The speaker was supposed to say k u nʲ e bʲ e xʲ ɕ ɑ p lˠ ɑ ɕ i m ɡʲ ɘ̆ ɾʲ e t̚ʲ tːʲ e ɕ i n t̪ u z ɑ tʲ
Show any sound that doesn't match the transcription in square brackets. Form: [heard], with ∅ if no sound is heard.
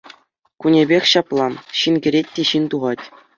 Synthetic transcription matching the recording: k u nʲ e bʲ e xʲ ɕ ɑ p lˠ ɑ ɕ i [n] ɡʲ ɘ̆ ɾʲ e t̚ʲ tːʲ e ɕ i n t̪ u [ʁ] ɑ tʲ